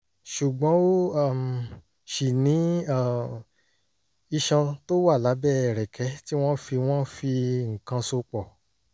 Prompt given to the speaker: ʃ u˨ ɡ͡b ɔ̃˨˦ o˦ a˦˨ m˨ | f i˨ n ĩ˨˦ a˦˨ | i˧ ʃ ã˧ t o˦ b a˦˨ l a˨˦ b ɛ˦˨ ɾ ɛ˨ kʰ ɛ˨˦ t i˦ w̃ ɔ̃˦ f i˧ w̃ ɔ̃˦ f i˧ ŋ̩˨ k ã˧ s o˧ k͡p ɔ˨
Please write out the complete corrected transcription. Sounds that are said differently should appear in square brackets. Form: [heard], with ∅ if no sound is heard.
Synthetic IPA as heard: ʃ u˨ ɡ͡b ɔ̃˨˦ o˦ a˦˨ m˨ | [ʃ] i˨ n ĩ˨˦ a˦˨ | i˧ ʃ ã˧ t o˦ [w] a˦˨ l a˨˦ b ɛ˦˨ ɾ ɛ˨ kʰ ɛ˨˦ t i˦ w̃ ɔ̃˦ f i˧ w̃ ɔ̃˦ f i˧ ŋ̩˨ k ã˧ s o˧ k͡p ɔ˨